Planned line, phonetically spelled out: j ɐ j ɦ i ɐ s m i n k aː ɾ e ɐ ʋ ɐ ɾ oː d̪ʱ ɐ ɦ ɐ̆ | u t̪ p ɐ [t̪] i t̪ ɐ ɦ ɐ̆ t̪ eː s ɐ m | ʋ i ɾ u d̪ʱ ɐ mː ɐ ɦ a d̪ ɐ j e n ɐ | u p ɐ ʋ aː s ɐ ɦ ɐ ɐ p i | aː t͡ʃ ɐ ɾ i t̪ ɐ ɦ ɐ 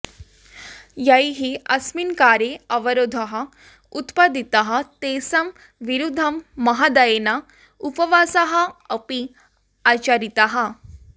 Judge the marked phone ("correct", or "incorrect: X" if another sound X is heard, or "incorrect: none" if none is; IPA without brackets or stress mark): incorrect: d̪